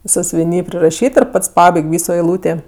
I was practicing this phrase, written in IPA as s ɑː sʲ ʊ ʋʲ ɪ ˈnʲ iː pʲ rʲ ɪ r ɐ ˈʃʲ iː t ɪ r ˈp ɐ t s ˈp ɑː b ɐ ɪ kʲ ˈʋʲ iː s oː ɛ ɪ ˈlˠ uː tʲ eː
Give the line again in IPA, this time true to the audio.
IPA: s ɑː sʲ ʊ ʋʲ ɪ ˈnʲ iː pʲ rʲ ɪ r ɐ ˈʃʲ iː t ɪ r ˈp ɐ t s ˈp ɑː b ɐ ɪ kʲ ˈʋʲ iː s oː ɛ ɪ ˈlˠ uː tʲ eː